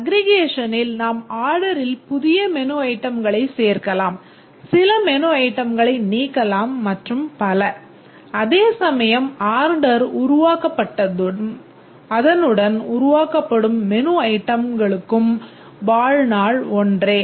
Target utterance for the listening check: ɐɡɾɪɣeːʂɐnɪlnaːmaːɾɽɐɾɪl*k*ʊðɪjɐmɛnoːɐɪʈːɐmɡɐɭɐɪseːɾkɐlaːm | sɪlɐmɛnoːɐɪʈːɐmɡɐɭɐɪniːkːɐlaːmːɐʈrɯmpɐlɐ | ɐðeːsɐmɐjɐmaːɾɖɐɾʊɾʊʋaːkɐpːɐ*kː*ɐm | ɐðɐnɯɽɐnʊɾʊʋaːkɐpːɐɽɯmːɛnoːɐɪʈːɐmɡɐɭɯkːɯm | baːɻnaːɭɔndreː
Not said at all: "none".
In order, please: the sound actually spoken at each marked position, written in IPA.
p, ʈː

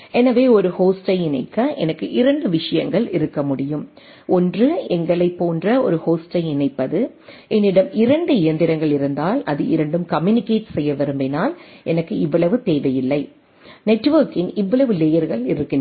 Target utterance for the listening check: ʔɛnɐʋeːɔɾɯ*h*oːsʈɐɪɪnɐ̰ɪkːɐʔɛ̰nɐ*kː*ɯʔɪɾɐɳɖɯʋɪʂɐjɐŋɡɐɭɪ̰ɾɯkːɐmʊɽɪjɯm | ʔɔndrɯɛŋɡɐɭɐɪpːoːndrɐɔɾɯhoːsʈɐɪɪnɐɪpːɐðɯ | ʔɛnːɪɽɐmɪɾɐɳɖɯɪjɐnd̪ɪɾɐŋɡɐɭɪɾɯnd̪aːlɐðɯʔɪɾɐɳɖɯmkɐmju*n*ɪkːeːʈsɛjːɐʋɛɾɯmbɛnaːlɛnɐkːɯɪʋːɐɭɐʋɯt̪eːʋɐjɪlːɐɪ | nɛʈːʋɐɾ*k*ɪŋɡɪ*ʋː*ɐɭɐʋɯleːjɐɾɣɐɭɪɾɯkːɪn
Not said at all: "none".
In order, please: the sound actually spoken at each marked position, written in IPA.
h, kː, n, k, ʋː

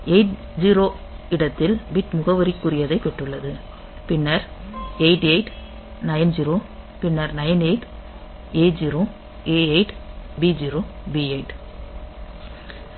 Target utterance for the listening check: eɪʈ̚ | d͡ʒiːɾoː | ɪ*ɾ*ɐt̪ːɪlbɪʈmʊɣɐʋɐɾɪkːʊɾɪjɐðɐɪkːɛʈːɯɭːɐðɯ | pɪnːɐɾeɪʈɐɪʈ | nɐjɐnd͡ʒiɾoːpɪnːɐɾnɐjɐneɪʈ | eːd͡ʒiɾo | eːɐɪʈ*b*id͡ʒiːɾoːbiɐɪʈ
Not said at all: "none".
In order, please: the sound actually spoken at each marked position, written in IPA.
ɽ, b

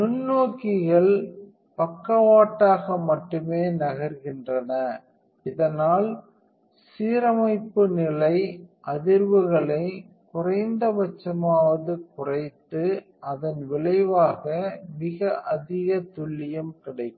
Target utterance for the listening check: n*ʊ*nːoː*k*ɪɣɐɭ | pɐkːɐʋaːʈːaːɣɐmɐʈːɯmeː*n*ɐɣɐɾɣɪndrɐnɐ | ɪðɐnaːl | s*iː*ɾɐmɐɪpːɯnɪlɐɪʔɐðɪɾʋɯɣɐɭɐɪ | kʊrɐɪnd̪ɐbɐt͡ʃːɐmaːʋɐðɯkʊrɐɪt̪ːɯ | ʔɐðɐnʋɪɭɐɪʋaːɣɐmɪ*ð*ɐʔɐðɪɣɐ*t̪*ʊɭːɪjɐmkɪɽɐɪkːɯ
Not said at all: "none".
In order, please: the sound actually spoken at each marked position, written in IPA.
ʊ, k, n, iː, ɣ, t̪

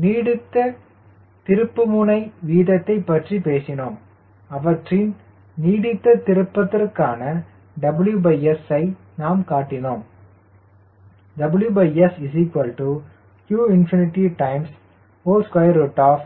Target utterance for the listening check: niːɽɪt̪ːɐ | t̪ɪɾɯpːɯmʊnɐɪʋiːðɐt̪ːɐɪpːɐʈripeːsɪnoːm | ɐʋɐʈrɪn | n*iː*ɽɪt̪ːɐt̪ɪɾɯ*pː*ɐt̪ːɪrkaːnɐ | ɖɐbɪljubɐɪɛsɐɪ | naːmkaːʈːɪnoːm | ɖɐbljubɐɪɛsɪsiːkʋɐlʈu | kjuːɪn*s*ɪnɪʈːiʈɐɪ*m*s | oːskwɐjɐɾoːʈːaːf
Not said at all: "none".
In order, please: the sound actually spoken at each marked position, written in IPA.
iː, pː, f, m

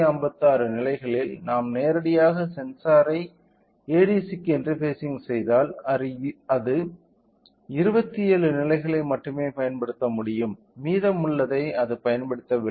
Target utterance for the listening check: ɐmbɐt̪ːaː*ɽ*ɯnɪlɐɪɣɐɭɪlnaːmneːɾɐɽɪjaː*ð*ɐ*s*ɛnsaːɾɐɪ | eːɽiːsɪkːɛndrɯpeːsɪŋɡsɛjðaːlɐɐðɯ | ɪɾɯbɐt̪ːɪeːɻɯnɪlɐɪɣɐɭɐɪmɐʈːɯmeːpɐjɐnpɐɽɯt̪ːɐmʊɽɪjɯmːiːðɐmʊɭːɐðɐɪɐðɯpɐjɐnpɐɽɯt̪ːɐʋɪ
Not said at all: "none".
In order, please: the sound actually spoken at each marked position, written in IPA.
ɾ, ɣ, s

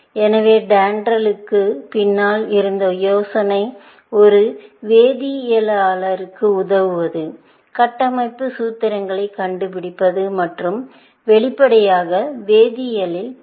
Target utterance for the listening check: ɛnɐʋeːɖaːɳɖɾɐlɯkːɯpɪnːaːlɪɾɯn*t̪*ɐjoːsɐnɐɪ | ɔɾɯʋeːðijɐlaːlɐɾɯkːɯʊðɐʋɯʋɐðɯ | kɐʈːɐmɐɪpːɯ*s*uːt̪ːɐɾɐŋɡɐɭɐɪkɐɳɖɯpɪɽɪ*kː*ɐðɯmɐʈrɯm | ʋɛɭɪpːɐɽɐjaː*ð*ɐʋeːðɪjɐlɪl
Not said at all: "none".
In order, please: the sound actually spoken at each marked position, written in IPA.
d̪, s, pː, ɣ

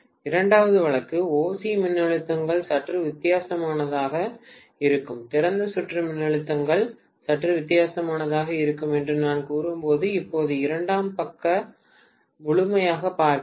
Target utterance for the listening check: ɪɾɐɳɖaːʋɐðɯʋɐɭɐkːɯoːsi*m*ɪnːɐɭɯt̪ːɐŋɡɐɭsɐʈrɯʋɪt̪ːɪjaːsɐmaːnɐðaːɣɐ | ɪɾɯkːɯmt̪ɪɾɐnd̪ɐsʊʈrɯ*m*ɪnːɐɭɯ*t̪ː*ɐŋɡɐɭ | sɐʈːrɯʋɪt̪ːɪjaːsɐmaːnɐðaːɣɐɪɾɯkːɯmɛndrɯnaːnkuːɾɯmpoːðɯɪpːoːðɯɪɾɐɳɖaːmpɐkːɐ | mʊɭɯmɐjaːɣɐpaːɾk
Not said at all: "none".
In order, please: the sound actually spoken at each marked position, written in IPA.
m, m, t̪ː

